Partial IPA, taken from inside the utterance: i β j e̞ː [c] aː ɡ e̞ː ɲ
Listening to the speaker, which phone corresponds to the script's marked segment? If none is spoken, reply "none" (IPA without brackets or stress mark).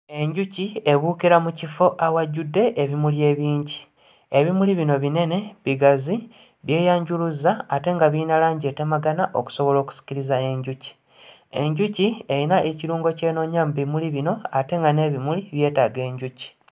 t